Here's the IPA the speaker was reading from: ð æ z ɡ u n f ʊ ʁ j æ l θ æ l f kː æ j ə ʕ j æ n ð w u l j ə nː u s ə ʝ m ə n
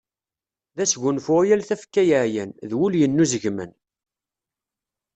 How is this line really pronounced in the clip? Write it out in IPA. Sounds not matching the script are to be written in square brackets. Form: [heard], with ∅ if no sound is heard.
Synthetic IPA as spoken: ð æ [s] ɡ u n f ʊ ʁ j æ l θ æ [∅] f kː æ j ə ʕ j æ n ð w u l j ə nː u [z] ə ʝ m ə n

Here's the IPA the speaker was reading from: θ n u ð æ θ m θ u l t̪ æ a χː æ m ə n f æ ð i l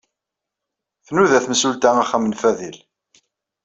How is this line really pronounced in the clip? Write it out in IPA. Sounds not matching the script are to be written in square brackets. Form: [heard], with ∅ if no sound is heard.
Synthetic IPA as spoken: θ n u ð æ θ m [s] u l t̪ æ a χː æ m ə n f æ ð i l

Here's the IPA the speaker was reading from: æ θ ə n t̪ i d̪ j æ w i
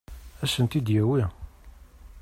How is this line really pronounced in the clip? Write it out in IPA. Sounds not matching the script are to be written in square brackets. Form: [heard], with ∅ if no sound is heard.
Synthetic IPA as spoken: æ [s] ə n t̪ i d̪ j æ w i

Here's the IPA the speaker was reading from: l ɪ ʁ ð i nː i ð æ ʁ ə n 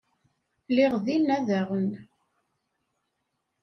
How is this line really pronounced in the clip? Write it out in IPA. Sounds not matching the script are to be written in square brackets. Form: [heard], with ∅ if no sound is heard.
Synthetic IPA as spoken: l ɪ ʁ ð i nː [æ] ð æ ʁ ə n

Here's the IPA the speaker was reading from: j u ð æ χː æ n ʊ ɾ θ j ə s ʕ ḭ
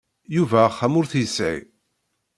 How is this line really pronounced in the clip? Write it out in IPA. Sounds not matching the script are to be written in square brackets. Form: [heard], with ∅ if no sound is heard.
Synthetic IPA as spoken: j u [v] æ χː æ [m] ʊ ɾ θ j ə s ʕ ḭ

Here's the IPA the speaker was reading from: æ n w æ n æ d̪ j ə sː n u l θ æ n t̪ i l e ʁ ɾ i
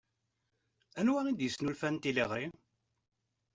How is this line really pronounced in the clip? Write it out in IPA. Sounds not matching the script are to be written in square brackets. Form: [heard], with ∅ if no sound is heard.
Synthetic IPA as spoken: æ n w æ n [i] d̪ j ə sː n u l [f] æ n t̪ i l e ʁ ɾ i

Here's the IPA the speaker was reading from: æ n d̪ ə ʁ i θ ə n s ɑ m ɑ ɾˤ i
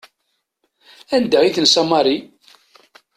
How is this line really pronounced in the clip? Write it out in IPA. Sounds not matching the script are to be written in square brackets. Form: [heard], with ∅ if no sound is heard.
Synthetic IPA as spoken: æ n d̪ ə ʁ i θ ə n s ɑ m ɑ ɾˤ i

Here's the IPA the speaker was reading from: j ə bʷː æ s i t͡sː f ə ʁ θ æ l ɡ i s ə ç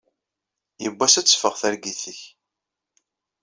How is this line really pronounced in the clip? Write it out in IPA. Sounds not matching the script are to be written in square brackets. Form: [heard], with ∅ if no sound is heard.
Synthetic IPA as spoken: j ə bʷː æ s [æ] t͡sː f ə ʁ θ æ [ɾ] ɡ i [θ] ə ç

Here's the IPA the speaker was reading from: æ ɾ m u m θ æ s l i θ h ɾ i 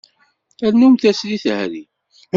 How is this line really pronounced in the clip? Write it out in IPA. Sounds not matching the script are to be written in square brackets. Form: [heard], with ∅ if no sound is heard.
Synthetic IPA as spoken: æ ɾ [n] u m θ æ s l i θ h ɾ i

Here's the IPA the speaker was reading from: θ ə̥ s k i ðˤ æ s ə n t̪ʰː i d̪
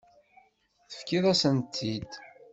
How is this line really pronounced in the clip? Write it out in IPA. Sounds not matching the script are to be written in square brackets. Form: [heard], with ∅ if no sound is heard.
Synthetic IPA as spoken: θ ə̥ [f] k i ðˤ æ s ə n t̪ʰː i d̪

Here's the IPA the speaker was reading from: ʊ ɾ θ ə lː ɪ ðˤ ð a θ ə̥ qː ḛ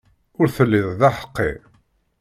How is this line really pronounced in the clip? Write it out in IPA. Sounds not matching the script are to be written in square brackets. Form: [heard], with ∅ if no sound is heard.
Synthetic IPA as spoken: ʊ ɾ θ ə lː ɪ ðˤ ð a [ħ] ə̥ qː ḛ

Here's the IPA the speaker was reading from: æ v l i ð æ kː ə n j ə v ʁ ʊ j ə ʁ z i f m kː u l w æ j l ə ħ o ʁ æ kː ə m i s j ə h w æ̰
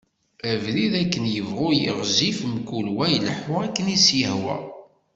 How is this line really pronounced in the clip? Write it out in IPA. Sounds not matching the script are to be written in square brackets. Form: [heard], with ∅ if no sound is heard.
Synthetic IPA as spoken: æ v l i ð æ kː ə n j ə v ʁ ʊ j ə ʁ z i f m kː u l w æ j l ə ħ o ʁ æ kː ə [n] i s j ə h w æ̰

